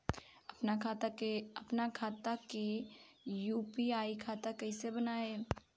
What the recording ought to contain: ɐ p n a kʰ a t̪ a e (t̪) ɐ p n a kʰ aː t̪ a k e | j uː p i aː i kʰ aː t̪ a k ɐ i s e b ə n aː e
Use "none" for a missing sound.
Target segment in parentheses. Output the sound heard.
none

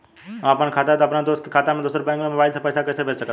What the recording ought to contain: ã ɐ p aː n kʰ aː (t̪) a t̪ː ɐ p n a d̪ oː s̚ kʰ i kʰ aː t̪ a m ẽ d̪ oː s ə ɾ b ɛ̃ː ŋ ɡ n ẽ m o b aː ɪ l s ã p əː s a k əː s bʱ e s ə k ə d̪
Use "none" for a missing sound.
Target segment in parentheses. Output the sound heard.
t̪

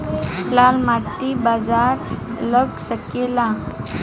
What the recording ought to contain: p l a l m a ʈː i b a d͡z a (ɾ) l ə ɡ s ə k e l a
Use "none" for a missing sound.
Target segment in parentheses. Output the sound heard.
ɾ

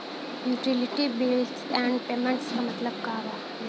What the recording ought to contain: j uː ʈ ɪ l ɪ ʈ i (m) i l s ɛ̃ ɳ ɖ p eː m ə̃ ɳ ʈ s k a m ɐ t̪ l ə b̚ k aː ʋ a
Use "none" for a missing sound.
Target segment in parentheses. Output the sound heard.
b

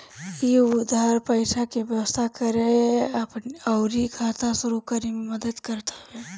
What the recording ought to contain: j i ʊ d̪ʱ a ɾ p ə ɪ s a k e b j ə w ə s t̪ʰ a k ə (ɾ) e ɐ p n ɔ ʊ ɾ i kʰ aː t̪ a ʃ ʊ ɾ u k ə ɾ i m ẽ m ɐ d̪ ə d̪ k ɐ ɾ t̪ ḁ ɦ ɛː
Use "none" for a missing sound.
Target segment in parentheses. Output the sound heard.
ɾ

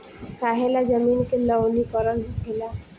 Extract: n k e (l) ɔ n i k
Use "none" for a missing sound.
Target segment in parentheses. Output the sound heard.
l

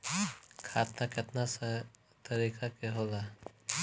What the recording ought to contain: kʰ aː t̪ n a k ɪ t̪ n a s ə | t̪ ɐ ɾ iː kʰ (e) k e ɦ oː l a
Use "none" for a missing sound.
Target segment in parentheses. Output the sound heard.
a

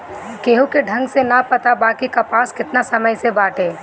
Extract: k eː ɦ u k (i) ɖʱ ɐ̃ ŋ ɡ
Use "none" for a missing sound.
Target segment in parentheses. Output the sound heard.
e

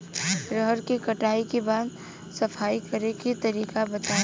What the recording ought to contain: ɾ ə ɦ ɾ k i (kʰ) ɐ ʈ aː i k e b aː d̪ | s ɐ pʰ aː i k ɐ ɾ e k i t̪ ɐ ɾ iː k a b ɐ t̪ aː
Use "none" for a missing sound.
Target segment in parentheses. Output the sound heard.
k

